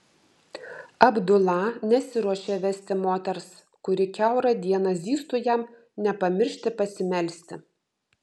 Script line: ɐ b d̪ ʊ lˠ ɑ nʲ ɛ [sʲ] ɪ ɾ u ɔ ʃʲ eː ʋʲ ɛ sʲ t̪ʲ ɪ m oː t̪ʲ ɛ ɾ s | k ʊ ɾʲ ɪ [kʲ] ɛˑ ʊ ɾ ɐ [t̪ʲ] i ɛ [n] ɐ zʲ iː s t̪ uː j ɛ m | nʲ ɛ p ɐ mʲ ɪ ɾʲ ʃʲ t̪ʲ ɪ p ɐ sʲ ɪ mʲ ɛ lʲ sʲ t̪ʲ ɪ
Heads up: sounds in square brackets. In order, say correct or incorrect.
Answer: correct, correct, incorrect: d̪ʲ, correct

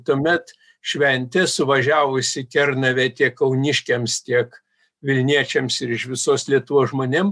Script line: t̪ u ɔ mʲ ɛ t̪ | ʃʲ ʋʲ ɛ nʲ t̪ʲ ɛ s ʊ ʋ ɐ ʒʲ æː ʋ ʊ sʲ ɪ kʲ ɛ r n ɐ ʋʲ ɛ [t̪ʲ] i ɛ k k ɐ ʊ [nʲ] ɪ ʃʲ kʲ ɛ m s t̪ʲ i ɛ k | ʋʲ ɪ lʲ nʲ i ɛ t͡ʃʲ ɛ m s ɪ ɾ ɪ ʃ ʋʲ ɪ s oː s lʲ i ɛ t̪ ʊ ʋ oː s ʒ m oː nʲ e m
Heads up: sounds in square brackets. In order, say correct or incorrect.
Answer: correct, correct

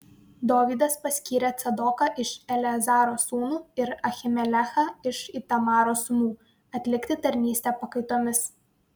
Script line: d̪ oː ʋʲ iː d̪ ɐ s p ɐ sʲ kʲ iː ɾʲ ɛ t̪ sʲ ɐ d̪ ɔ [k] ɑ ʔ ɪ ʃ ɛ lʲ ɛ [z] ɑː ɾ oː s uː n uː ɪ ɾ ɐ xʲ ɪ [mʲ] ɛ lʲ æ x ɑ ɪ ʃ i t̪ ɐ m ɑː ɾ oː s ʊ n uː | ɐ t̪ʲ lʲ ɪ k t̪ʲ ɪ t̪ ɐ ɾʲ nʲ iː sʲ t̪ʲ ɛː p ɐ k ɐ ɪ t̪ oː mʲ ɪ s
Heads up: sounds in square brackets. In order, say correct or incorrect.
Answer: correct, correct, correct

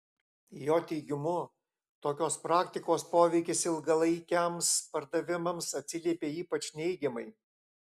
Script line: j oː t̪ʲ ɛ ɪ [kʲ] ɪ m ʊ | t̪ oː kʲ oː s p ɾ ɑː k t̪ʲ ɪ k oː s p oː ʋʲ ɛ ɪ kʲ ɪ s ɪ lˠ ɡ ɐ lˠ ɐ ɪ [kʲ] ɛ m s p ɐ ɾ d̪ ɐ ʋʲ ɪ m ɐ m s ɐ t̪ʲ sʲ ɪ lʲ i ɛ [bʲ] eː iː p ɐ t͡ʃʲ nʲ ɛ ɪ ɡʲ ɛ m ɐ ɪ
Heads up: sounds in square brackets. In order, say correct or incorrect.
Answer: incorrect: ɡʲ, correct, incorrect: pʲ

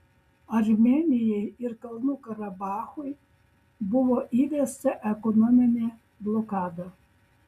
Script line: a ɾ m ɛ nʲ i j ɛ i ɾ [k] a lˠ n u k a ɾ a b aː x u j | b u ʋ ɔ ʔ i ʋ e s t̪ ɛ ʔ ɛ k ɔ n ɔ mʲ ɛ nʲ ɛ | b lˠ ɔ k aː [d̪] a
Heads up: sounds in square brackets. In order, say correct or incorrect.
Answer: correct, correct

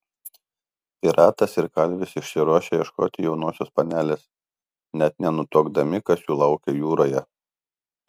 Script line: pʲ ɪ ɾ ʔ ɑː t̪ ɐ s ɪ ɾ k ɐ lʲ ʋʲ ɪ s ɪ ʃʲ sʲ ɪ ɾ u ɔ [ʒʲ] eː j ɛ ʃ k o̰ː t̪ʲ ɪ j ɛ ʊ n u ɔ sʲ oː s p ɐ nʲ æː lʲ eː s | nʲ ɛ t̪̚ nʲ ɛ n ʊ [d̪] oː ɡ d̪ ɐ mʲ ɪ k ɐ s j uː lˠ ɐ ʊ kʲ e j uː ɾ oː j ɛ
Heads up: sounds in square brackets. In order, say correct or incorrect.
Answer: incorrect: ʃʲ, incorrect: t̪

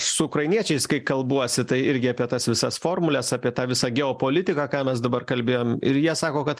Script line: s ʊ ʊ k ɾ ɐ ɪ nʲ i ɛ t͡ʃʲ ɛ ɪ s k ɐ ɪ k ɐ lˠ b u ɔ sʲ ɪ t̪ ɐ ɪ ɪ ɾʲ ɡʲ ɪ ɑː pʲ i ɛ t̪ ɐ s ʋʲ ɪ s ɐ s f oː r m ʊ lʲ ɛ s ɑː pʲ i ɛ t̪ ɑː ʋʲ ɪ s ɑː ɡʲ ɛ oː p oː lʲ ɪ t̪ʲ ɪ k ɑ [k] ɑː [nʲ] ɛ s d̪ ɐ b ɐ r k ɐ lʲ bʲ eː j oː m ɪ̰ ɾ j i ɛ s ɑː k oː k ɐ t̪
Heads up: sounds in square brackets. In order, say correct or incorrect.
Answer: correct, incorrect: mʲ

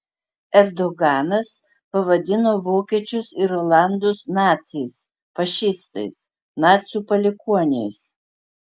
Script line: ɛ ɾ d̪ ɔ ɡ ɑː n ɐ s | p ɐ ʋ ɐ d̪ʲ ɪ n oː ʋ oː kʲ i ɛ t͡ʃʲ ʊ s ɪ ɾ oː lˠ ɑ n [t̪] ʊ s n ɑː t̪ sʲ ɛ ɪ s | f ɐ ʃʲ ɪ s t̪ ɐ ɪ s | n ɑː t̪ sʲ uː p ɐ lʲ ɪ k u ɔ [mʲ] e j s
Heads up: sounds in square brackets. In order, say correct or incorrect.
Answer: incorrect: d̪, incorrect: nʲ

